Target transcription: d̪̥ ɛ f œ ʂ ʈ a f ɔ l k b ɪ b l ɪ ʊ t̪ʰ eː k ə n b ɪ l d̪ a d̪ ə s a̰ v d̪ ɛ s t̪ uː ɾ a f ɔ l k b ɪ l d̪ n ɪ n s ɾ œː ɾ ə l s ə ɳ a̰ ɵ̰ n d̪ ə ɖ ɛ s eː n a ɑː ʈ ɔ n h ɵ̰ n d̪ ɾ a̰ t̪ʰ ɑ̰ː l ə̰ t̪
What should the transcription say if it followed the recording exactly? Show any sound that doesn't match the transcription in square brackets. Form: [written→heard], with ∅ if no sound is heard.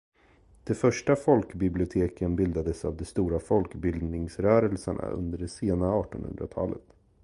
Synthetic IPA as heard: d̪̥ ɛ f œ ʂ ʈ a f ɔ l k b ɪ b l ɪ ʊ t̪ʰ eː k ə n b ɪ l d̪ a d̪ ə s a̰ v d̪ ɛ s t̪ uː ɾ a f ɔ l k b ɪ l d̪ n ɪ [n→ŋ] s ɾ œː ɾ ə l s ə ɳ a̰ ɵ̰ n d̪ ə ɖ ɛ s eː n a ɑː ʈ ɔ n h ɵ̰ n d̪ ɾ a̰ t̪ʰ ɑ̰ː l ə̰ t̪